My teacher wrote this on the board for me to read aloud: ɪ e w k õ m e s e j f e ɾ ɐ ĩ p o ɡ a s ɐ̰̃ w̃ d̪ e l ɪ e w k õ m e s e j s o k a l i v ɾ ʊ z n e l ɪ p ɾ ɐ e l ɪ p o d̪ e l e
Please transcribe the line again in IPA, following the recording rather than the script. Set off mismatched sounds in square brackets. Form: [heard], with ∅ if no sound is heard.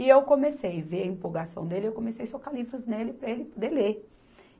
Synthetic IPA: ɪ e w k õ m e s e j [v] e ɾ ɐ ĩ p o ɡ a s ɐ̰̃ w̃ d̪ e l ɪ e w k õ m e s e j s o k a l i v ɾ ʊ z n e l ɪ p ɾ ɐ e l ɪ p o d̪ e l e

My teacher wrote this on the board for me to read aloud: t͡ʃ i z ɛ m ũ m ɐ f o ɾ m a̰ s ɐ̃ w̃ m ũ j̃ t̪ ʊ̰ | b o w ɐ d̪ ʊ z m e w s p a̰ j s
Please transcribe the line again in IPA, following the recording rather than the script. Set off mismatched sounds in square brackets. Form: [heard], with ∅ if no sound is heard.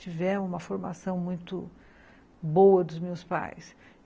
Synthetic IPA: t͡ʃ i [v] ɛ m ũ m ɐ f o ɾ m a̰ s ɐ̃ w̃ m ũ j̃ t̪ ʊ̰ | b o w ɐ d̪ ʊ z m e w s p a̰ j s

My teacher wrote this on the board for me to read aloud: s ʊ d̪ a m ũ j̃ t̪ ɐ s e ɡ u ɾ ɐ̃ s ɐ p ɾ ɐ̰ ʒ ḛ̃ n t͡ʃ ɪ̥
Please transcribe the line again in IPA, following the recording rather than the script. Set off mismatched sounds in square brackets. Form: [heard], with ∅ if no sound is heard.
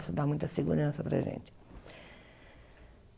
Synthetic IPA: s ʊ d̪ a m ũ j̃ t̪ ɐ s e ɡ u ɾ ɐ̃ s ɐ p ɾ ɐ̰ ʒ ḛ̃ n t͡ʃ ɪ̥

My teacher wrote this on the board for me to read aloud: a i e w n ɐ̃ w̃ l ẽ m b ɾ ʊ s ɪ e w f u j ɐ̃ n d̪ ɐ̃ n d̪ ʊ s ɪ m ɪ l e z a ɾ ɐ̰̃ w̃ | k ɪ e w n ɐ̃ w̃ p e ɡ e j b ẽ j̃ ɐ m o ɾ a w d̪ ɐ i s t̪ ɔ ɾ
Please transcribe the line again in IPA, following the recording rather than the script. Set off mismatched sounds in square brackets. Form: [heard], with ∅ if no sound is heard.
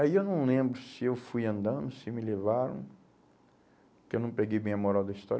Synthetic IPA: a i e w n ɐ̃ w̃ l ẽ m b ɾ ʊ s ɪ e w f u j ɐ̃ n d̪ ɐ̃ n d̪ ʊ s ɪ m ɪ l e [v] a ɾ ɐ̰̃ w̃ | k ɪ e w n ɐ̃ w̃ p e ɡ e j b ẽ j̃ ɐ m o ɾ a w d̪ ɐ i s t̪ ɔ ɾ

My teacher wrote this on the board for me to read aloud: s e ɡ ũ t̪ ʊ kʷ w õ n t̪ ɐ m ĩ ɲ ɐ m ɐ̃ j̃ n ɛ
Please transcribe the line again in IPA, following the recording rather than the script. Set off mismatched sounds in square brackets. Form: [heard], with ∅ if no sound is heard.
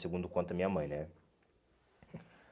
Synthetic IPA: s e ɡ ũ [d̪] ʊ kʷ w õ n t̪ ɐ m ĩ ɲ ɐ m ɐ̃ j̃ n ɛ

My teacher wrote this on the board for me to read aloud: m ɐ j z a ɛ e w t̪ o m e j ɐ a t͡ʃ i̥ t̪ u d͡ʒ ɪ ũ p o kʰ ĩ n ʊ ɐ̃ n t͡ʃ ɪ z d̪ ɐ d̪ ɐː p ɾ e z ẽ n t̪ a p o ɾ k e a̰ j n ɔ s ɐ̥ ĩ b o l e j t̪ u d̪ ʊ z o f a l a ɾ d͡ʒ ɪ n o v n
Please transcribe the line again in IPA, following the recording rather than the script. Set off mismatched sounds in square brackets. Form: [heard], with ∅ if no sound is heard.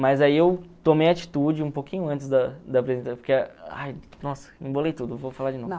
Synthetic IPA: m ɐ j z a [i] e w t̪ o m e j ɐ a t͡ʃ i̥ t̪ u d͡ʒ ɪ ũ p o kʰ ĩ [ɲ] ʊ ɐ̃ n t͡ʃ ɪ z d̪ ɐ d̪ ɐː p ɾ e z ẽ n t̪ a p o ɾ k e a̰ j n ɔ s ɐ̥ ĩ b o l e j t̪ u d̪ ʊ [v] o f a l a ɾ d͡ʒ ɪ n o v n

